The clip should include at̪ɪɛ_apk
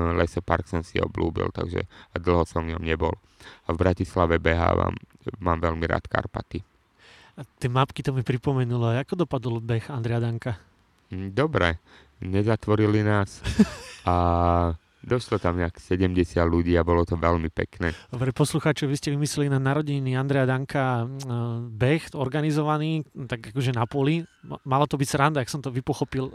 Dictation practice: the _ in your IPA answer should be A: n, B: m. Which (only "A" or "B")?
B